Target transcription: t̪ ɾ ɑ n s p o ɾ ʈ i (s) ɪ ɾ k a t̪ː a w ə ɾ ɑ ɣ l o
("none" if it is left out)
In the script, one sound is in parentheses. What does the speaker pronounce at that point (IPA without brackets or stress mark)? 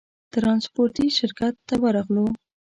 ʃ